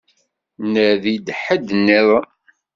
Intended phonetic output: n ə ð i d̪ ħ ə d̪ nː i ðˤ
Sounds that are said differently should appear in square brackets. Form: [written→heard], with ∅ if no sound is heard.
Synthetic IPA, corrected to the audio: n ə ð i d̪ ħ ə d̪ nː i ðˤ